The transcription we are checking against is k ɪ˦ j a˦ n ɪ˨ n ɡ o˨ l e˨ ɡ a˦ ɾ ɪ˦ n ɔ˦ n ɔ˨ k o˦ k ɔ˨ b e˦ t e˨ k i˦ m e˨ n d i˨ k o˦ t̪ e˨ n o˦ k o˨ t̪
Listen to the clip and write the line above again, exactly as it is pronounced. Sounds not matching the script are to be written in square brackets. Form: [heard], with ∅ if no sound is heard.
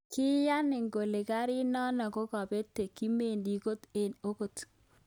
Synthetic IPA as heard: k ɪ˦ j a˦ n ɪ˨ [ŋ] ɡ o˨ l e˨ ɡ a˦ ɾ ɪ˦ n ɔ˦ n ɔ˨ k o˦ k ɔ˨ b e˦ t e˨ k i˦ m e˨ n d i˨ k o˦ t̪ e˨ n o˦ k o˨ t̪